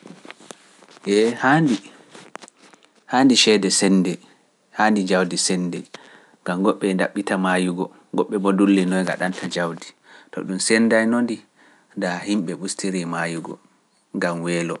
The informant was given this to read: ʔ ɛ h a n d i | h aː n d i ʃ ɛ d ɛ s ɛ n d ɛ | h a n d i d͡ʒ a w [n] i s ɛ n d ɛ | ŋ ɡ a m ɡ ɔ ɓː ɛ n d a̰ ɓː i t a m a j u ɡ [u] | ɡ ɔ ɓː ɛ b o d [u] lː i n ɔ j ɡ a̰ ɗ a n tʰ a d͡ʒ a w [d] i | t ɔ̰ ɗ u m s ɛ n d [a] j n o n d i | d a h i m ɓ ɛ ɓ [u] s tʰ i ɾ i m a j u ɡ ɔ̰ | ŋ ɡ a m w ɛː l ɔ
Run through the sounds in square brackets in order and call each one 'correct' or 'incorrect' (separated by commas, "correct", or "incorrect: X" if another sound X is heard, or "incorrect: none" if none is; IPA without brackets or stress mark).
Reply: incorrect: d, incorrect: ɔ, correct, correct, correct, correct